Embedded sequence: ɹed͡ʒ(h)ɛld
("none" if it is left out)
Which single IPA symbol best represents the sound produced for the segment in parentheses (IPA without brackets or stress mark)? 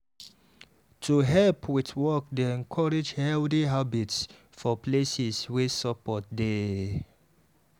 h